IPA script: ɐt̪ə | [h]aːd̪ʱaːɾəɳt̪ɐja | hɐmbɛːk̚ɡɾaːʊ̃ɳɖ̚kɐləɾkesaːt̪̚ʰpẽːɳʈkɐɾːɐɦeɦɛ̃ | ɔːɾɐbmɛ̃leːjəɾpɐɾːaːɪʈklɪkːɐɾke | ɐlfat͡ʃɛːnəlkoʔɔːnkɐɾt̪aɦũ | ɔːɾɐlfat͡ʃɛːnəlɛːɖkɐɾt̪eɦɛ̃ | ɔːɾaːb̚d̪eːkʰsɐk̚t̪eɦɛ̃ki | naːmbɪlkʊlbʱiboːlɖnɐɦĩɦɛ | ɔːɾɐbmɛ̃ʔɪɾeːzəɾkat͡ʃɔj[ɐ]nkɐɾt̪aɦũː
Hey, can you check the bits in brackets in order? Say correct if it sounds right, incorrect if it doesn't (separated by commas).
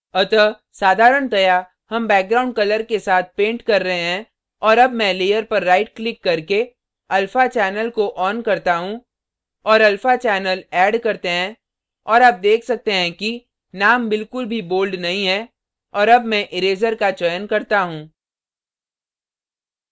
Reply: incorrect, incorrect